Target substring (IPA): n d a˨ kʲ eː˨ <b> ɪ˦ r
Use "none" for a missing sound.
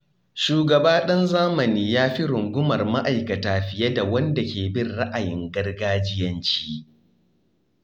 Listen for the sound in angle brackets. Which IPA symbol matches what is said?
b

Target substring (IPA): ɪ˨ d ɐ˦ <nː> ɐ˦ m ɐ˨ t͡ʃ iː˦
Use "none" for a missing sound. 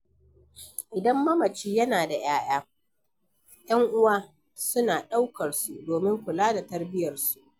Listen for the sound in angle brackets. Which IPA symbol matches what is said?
mː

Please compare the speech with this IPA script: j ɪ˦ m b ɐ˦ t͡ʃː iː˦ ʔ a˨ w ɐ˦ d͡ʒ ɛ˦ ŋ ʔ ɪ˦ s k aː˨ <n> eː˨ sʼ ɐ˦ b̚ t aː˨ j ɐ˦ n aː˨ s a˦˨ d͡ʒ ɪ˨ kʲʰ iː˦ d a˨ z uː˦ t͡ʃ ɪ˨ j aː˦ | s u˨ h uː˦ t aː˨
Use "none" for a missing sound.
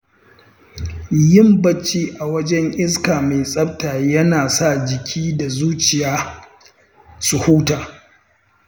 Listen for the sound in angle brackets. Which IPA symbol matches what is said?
m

